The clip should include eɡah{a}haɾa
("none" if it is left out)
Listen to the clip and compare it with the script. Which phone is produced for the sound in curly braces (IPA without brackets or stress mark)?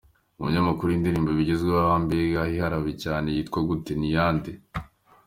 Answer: i